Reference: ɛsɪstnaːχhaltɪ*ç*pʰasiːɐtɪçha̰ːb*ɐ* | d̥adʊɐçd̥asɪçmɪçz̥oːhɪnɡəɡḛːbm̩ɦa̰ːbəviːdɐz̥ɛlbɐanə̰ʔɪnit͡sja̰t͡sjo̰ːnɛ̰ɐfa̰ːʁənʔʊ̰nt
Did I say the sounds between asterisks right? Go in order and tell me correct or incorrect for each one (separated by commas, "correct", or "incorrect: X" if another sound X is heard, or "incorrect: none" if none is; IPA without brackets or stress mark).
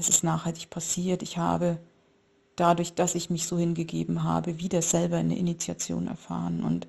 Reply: correct, incorrect: ə